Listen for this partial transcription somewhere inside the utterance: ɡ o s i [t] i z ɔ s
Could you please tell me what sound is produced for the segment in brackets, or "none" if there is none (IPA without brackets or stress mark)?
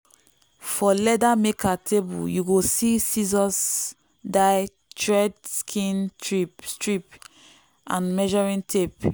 s